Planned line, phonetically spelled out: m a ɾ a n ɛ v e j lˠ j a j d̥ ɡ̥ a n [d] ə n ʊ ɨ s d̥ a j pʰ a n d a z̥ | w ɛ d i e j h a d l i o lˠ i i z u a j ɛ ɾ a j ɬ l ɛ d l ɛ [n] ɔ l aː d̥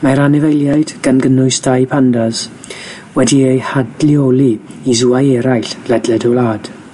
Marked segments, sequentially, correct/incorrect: incorrect: ɡ, incorrect: d

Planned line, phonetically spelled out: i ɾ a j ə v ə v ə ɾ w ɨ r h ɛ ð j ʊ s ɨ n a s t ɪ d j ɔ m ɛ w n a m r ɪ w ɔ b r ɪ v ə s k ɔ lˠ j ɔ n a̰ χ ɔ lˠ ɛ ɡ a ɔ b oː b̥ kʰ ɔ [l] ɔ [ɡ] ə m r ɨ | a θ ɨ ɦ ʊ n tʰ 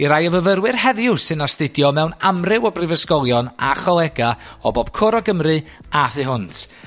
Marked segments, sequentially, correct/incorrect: incorrect: ɾ, correct

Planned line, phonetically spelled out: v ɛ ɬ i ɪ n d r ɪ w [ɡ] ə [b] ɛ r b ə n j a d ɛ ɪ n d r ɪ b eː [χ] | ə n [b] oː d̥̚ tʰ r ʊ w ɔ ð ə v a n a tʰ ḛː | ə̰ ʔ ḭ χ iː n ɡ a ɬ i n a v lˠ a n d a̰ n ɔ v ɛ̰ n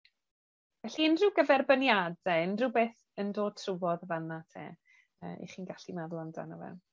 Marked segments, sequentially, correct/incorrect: correct, incorrect: v, incorrect: θ, incorrect: d

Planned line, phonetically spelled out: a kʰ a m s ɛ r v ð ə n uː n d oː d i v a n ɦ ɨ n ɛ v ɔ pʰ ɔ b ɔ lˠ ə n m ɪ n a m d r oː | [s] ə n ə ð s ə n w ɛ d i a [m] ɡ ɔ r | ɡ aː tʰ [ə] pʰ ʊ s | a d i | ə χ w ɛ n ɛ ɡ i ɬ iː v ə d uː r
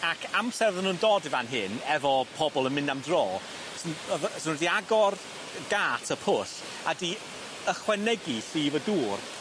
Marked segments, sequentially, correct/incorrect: correct, incorrect: none, correct

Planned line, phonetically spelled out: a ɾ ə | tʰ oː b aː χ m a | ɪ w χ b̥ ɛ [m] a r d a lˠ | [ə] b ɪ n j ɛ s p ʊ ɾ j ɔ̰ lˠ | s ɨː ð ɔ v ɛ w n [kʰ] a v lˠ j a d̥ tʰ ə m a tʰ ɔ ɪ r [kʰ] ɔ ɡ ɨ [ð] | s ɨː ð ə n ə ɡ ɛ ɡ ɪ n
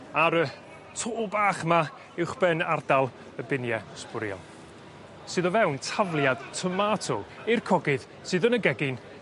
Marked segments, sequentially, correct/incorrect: incorrect: n, correct, incorrect: tʰ, correct, correct

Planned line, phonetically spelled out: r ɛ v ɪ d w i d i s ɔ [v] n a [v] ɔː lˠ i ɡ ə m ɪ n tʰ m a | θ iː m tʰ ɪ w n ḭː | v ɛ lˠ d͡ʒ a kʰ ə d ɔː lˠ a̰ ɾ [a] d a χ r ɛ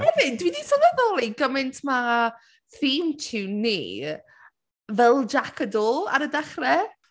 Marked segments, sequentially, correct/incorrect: incorrect: none, incorrect: ð, incorrect: ə

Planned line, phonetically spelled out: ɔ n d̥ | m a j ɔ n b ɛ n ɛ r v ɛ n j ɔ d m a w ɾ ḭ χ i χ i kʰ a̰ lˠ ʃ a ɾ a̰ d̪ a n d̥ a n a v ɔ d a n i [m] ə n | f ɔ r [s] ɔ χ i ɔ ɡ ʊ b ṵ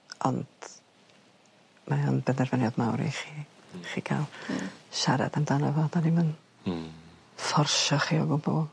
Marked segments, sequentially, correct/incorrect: correct, incorrect: ʃ

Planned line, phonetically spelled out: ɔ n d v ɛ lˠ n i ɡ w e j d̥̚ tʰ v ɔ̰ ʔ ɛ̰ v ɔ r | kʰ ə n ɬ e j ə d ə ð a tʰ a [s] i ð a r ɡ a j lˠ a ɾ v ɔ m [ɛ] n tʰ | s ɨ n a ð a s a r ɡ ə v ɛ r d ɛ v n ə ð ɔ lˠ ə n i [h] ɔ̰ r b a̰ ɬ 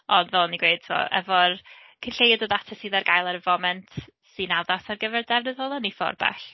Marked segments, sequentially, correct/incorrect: correct, correct, incorrect: f

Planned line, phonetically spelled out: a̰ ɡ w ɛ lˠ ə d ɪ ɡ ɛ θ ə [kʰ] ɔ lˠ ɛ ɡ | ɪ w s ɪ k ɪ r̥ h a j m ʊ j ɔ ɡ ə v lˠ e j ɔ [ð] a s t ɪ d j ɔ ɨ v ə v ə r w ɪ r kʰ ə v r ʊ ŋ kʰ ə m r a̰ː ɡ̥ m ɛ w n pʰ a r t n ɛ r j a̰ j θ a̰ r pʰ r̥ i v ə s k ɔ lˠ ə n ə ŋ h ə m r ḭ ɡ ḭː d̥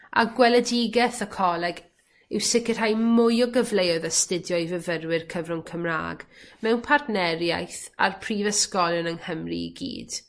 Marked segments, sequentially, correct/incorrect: correct, correct

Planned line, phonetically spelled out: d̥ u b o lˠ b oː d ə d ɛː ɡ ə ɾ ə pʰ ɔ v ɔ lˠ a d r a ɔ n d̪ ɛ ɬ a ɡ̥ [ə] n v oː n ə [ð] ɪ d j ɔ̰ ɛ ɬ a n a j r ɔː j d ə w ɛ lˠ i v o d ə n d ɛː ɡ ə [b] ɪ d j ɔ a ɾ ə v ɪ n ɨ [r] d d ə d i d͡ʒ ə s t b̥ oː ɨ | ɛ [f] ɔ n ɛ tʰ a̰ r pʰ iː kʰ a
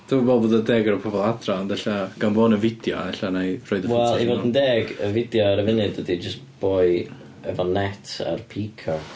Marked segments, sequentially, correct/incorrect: incorrect: a, incorrect: v, incorrect: v, incorrect: none, incorrect: v

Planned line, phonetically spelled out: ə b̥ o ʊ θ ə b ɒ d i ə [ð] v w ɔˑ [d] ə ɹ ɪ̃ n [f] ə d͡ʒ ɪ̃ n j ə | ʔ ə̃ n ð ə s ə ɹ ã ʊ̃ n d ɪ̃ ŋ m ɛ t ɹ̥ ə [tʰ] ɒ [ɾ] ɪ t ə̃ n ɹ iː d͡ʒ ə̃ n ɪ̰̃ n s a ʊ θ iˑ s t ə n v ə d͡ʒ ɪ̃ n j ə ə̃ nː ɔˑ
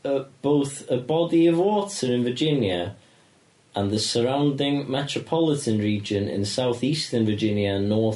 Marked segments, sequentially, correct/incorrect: incorrect: none, incorrect: t, incorrect: v, incorrect: pʰ, incorrect: l

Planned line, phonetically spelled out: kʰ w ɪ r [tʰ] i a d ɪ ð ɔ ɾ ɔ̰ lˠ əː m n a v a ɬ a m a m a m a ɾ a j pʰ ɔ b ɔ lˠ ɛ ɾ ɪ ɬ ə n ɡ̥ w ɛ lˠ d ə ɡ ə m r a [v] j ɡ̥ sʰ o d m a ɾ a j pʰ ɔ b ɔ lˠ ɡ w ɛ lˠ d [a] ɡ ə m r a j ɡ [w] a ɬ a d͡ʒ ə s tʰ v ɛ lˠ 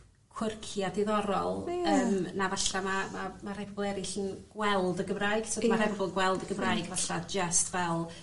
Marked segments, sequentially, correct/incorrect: incorrect: kʰ, incorrect: none, incorrect: ə, incorrect: v

